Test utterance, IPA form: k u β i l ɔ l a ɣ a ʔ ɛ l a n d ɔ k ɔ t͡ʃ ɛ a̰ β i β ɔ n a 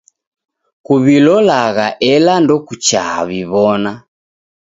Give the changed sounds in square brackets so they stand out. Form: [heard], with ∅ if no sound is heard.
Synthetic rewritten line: k u β i l ɔ l a ɣ a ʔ ɛ l a n d ɔ k [u] t͡ʃ [a] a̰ β i β ɔ n a